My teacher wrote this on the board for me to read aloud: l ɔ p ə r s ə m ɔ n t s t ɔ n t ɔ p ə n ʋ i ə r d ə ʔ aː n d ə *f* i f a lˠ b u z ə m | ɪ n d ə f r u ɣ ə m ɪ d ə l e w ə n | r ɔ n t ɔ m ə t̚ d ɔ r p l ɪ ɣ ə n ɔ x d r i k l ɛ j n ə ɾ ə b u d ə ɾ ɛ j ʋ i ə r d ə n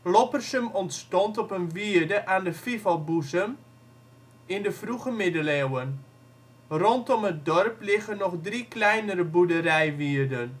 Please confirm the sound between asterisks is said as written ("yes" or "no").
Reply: yes